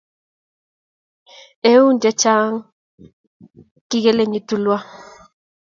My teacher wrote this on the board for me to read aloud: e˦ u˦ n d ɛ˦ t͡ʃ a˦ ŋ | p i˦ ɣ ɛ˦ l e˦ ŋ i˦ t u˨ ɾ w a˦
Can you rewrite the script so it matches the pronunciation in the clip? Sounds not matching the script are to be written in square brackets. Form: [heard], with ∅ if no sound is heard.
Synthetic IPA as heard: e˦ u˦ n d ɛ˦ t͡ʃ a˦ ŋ | [k] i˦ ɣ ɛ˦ l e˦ [ɲ] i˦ t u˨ [l] w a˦